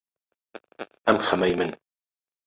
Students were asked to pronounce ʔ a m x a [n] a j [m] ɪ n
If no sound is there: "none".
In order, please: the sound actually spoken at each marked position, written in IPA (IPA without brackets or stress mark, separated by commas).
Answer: m, m